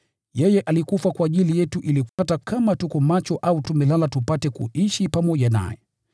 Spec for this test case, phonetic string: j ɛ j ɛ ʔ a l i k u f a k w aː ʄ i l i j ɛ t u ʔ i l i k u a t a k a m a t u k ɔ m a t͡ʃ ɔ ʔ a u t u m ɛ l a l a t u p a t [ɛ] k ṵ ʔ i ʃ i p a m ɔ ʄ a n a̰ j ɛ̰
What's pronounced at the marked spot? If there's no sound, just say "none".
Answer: ɛ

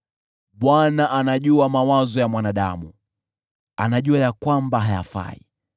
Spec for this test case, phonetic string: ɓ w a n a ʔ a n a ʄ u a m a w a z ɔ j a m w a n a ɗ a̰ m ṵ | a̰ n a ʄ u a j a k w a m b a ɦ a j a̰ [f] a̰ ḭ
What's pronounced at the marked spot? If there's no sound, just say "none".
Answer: f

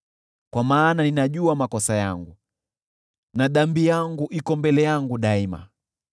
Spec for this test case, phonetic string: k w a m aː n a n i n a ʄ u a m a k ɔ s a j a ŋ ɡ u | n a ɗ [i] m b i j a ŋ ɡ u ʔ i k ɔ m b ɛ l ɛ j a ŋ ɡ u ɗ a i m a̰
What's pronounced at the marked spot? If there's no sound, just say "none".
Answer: a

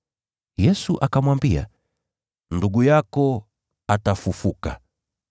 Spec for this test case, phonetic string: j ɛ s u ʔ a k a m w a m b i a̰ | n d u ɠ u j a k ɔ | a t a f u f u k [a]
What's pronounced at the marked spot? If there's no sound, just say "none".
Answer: a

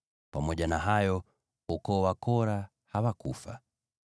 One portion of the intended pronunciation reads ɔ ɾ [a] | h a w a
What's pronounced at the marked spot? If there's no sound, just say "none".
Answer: a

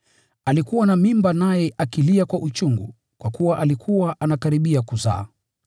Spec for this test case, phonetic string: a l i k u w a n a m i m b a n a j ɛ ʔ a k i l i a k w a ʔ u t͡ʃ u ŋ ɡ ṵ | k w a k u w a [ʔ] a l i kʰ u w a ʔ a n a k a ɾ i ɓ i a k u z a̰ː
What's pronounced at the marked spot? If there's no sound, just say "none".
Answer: ʔ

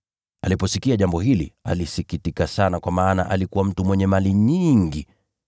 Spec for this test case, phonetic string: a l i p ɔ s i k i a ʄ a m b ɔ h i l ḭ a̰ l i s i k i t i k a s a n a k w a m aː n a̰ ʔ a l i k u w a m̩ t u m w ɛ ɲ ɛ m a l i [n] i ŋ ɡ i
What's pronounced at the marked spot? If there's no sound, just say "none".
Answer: ɲ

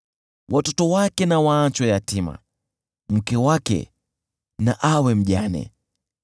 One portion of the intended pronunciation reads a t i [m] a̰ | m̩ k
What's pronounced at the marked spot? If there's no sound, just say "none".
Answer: m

